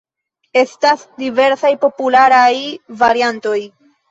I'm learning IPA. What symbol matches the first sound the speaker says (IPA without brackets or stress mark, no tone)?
e̞